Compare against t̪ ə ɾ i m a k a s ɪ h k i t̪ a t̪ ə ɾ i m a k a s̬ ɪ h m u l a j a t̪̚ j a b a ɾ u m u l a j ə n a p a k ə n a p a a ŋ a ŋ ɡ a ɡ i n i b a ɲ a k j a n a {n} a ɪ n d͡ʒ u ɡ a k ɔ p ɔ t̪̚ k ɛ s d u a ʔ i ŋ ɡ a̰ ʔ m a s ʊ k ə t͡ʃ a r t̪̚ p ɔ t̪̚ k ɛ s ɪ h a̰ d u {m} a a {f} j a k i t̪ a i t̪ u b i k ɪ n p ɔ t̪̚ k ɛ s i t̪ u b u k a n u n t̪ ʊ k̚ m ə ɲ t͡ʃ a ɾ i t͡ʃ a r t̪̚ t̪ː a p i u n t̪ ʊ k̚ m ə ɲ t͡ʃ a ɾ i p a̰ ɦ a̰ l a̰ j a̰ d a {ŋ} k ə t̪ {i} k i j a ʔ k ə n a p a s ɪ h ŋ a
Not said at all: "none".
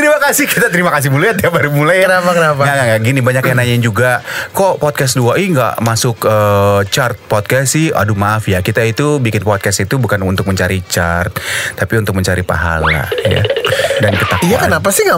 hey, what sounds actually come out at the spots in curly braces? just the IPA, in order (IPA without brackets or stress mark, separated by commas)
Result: ɲ, m, f, n, a